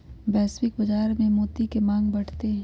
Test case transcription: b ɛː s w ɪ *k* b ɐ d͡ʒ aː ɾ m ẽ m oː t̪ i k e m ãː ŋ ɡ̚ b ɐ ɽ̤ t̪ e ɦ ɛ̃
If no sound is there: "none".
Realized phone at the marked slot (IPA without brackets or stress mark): k